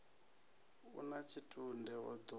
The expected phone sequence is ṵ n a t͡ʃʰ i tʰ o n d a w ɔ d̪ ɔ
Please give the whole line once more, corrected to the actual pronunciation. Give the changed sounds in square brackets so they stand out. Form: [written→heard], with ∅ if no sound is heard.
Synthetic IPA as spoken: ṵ n a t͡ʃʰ i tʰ [o→u] n d [a→ɛ] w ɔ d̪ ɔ